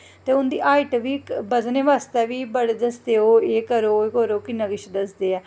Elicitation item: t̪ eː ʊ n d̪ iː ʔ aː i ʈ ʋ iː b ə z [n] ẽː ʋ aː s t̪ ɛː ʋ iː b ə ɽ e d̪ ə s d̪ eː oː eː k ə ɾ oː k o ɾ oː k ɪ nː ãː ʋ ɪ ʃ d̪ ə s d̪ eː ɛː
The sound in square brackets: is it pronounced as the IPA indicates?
yes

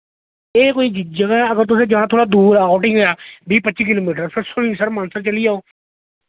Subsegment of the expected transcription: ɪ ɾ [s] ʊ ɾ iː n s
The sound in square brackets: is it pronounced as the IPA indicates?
yes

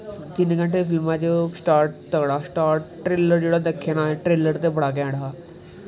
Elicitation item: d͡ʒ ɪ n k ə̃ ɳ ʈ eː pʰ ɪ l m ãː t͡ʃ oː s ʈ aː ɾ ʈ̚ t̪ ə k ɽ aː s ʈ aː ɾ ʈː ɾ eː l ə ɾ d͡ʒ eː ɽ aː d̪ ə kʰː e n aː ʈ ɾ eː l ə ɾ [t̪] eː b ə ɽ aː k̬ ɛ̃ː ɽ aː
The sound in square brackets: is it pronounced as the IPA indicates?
yes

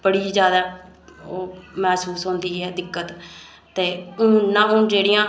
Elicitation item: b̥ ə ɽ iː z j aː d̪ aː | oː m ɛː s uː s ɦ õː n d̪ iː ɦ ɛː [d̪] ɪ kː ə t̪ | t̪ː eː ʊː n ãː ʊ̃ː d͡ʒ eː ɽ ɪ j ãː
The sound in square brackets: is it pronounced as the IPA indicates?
yes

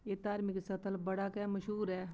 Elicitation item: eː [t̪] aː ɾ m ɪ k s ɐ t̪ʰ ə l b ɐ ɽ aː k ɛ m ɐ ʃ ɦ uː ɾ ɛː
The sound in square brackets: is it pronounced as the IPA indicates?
yes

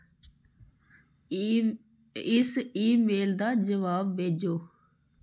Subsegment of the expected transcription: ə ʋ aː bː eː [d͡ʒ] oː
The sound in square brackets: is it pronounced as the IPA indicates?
yes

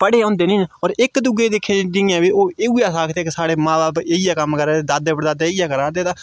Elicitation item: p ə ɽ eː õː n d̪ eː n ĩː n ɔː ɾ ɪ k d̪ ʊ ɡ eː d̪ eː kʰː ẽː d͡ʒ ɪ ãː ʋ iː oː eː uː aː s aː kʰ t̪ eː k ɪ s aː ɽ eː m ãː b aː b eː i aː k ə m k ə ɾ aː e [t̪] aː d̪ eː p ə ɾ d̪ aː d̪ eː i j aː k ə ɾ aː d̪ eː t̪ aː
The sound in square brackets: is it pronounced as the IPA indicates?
no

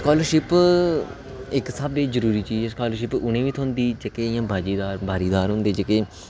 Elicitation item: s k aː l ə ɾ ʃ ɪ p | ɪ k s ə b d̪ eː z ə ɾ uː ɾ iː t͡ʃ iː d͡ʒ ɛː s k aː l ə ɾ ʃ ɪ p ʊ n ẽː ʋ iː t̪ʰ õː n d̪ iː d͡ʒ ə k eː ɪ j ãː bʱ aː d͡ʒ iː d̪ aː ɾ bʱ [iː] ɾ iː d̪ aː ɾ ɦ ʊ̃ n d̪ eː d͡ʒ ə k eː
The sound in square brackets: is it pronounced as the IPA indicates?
no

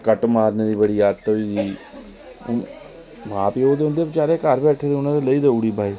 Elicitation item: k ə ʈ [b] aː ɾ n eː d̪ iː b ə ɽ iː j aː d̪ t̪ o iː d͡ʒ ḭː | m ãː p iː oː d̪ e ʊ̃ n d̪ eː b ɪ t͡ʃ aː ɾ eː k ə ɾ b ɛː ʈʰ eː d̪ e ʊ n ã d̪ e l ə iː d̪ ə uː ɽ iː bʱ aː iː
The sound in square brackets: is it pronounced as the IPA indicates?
no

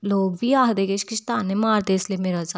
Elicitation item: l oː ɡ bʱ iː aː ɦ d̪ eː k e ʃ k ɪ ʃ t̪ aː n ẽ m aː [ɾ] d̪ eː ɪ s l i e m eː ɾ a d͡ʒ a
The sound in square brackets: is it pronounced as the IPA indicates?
yes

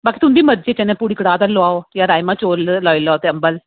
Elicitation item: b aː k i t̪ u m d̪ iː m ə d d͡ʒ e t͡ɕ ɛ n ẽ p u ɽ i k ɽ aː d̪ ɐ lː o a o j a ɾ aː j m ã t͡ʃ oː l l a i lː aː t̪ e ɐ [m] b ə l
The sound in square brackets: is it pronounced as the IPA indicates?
yes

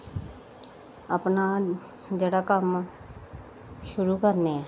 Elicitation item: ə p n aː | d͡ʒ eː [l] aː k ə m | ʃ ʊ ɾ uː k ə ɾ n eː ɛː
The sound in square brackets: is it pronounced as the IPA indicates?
no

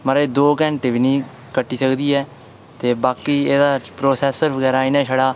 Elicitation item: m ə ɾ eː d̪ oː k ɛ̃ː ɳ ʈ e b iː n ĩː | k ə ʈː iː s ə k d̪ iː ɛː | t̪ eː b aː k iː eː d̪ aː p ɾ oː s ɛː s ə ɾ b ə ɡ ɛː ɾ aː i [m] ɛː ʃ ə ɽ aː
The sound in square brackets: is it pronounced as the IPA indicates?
no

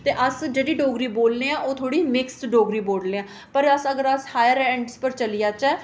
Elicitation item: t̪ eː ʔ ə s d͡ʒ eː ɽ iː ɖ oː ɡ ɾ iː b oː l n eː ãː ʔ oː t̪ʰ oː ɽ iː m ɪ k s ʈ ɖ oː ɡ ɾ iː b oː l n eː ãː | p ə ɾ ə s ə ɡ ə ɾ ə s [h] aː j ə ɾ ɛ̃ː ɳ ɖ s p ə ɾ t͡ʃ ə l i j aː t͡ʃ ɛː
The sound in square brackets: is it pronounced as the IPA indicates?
yes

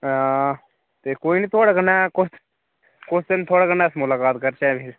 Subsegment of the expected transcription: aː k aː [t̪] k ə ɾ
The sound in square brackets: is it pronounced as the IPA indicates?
yes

